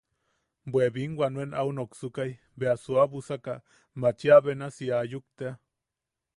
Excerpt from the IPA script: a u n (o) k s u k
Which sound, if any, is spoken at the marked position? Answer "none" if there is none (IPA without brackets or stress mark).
o